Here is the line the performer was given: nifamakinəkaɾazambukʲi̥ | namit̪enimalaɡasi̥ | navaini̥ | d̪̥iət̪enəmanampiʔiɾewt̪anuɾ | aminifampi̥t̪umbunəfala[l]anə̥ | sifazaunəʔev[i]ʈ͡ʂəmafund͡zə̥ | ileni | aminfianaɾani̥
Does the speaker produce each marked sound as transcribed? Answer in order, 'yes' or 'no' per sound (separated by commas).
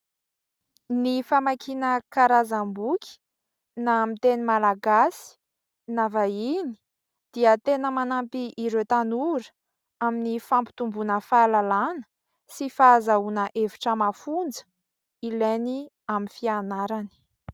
yes, yes